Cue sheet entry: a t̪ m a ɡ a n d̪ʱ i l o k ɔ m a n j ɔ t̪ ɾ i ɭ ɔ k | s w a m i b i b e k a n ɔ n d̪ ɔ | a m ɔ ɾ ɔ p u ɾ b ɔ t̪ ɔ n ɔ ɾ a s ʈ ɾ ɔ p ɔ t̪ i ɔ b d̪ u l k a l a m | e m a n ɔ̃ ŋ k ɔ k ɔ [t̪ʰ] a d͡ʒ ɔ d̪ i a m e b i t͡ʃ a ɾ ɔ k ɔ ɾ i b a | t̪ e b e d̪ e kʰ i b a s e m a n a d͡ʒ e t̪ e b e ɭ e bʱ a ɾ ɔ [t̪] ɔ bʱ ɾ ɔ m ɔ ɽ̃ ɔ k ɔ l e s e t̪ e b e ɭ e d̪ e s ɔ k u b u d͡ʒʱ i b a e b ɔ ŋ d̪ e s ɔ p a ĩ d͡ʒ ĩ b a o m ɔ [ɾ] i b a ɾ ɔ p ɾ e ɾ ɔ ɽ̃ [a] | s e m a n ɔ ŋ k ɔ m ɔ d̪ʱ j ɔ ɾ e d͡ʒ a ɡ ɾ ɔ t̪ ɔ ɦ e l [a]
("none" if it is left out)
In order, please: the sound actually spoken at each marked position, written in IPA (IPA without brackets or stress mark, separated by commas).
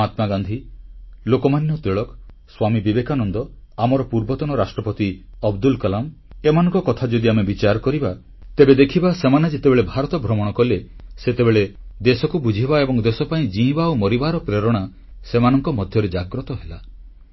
t̪ʰ, t̪, ɾ, a, a